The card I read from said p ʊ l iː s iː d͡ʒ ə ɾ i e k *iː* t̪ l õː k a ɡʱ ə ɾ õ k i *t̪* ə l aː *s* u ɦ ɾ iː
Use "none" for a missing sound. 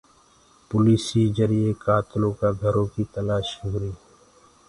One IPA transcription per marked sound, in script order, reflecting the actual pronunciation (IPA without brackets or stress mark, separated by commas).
aː, t̪, ʃ